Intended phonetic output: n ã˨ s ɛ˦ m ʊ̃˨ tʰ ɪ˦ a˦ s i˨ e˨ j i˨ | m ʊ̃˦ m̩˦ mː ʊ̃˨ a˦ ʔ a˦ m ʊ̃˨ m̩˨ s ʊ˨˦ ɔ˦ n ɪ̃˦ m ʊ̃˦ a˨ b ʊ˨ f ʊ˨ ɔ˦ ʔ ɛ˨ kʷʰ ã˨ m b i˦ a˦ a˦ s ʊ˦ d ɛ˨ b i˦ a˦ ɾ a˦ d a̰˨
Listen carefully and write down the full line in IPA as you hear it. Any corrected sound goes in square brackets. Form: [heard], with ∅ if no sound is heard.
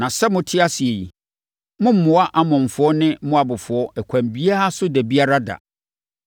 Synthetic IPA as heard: n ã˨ s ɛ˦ m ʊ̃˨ tʰ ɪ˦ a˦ s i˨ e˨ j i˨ | m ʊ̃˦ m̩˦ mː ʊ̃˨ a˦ ʔ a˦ m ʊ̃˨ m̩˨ [f] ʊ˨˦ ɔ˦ n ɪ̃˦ m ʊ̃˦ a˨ b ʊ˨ f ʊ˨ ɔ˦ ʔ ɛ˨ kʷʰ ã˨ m b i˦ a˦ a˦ s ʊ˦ d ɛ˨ b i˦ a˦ ɾ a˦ d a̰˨